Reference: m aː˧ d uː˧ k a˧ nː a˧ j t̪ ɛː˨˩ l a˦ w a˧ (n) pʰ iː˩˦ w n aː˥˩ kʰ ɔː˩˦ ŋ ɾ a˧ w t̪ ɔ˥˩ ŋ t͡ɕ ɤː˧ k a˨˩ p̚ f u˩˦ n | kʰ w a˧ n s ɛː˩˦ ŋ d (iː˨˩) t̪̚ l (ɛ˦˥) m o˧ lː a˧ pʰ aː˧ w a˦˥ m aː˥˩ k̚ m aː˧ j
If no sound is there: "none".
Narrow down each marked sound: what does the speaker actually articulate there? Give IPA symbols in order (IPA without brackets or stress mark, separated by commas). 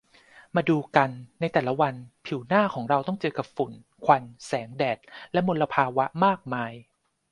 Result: n, ɛː˨˩, ɛ˦˥